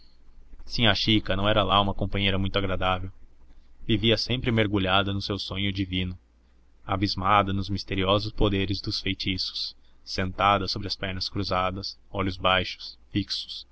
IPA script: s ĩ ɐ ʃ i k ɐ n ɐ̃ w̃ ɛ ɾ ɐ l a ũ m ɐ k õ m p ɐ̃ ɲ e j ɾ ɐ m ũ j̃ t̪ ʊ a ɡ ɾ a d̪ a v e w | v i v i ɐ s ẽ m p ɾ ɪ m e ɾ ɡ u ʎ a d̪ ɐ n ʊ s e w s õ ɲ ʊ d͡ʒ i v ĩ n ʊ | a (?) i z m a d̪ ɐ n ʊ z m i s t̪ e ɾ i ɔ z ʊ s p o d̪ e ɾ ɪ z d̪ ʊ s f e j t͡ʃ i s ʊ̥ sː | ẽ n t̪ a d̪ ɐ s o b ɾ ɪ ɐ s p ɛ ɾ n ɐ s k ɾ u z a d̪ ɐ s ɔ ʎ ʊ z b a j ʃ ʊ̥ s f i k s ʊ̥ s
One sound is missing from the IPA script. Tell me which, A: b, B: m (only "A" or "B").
A